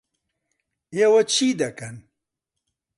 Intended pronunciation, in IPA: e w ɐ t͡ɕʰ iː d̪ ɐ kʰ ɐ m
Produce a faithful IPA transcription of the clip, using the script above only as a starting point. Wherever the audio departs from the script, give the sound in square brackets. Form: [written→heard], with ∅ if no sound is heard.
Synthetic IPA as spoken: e w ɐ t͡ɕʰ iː d̪ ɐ [kʰ→k] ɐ [m→n]